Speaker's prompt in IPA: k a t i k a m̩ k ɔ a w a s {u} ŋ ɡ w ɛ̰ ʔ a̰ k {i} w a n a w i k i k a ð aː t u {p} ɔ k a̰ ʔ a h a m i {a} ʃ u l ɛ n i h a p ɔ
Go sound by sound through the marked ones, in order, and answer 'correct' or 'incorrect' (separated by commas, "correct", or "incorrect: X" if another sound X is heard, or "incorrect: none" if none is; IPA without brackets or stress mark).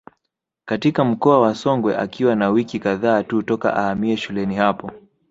incorrect: ɔ, correct, incorrect: t, incorrect: ɛ